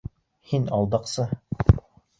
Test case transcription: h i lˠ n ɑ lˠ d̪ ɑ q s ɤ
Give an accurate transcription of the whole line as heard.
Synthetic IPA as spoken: h i n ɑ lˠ d̪ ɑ q s ɤ